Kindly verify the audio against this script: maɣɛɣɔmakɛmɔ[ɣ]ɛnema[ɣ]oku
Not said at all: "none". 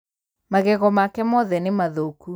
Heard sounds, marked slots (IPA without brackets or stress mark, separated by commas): ð, ð